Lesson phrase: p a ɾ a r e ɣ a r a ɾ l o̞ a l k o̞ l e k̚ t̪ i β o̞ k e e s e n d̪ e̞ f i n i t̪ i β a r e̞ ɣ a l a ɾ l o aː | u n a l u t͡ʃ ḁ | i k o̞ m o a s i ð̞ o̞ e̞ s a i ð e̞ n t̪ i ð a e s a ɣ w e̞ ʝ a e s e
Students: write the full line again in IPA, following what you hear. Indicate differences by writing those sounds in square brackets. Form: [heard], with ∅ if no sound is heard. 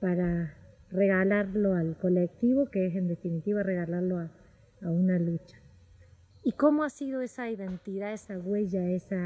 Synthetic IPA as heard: p a ɾ a r e ɣ a [l] a ɾ l o̞ a l k o̞ l e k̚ t̪ i β o̞ k e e s e n d̪ e̞ f i n i t̪ i β a r e̞ ɣ a l a ɾ l o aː | u n a l u t͡ʃ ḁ | i k o̞ m o a s i ð̞ o̞ e̞ s a i ð e̞ n t̪ i ð a e s a ɣ w e̞ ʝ a e s [a]